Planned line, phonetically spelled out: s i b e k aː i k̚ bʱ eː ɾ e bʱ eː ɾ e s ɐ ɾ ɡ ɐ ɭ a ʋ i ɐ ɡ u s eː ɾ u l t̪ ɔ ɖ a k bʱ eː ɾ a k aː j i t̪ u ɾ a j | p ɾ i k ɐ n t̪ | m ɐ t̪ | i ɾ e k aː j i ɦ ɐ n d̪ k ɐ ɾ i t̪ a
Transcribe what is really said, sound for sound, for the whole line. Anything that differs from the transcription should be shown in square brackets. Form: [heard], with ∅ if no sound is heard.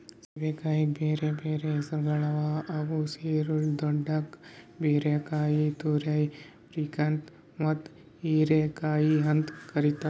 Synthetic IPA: s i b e k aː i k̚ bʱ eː ɾ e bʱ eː ɾ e s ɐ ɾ ɡ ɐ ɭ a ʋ [a] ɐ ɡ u s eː ɾ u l [d̪] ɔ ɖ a k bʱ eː ɾ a k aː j i t̪ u ɾ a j | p ɾ i k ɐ n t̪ | m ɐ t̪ | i ɾ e k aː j i ɦ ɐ n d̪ k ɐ ɾ i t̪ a